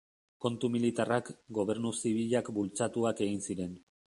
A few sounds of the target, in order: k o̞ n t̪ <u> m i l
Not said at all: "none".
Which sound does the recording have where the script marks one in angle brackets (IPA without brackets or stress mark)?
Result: u